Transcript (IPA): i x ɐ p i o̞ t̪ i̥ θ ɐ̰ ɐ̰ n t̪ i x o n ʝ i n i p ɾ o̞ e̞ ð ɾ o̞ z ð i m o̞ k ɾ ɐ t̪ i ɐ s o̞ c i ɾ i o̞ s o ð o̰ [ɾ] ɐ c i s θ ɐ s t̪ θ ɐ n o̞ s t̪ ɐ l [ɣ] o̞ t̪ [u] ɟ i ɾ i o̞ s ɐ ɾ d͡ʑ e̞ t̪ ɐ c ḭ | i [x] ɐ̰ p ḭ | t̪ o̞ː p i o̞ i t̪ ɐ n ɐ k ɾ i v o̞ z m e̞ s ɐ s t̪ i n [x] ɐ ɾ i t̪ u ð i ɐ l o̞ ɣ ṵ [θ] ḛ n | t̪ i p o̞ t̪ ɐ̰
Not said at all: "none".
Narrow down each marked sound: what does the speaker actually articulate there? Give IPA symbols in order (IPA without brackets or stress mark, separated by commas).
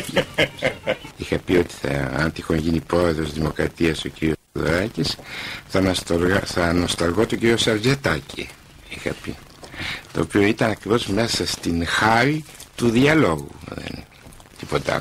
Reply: ɾ, ɣ, o, x, x, ð